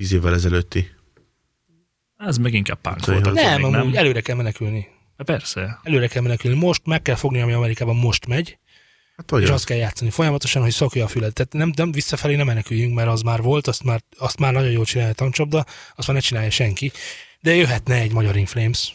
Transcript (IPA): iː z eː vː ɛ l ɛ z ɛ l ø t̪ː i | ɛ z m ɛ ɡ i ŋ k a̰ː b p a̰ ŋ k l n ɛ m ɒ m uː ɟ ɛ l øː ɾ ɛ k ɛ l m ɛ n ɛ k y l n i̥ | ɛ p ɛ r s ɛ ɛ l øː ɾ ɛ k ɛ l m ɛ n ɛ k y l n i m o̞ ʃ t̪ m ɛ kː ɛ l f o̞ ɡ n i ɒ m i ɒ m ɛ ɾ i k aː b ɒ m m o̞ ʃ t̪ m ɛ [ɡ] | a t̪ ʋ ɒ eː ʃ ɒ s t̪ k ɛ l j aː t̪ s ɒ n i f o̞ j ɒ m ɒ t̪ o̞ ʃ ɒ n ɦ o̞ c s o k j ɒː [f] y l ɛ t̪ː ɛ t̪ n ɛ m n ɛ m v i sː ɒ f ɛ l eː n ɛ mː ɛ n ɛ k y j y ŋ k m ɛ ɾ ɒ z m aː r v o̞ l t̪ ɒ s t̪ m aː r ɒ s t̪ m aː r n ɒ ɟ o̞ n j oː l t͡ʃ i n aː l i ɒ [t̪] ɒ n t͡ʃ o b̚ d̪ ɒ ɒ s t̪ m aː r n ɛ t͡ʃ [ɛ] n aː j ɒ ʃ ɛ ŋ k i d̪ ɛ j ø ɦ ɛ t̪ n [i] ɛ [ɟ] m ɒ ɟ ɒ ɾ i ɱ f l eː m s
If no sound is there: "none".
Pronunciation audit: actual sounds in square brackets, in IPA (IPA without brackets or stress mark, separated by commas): ɟ, f, t̪, i, ɛ, ɟ